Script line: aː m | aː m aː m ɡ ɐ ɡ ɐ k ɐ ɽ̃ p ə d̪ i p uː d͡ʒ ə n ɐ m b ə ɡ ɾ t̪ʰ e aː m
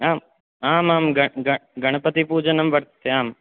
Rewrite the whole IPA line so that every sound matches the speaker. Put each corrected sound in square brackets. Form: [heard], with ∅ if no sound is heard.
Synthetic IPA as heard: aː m | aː m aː m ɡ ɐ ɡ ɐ [ɡ] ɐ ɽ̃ p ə [t̪] i p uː d͡ʒ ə n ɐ m b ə [∅] ɾ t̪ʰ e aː m